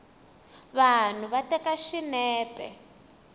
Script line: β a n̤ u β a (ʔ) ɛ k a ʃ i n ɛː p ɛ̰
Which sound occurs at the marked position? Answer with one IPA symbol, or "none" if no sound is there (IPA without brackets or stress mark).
t